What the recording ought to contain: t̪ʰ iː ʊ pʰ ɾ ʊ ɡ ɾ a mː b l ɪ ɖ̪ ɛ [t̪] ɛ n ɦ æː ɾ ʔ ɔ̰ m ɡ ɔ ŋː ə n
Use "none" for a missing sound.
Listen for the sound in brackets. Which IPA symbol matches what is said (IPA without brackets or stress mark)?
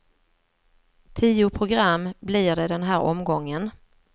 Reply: d̪